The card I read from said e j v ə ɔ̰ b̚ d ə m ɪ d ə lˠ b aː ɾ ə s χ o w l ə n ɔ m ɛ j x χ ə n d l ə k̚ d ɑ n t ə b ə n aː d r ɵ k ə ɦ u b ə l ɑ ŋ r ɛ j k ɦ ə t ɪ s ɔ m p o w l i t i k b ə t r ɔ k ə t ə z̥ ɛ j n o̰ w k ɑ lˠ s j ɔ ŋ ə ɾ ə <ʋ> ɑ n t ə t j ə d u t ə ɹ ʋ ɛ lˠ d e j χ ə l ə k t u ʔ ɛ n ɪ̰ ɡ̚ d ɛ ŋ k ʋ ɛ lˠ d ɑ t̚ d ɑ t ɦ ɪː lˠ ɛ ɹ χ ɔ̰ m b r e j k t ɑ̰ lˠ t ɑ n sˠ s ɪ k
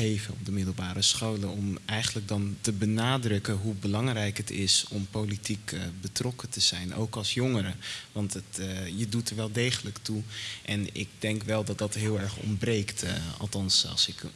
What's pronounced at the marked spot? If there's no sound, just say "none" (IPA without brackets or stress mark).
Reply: ʋ